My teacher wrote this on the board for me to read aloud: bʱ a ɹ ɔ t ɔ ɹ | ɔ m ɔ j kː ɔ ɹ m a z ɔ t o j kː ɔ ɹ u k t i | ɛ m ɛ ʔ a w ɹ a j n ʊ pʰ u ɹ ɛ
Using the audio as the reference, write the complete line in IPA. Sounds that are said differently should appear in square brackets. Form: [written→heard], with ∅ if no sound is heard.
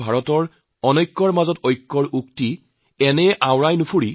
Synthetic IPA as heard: bʱ a ɹ ɔ t ɔ ɹ | ɔ [m→n] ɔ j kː ɔ ɹ m a z ɔ t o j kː ɔ ɹ u k t i | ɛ [m→n] ɛ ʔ a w ɹ a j n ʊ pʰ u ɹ [ɛ→i]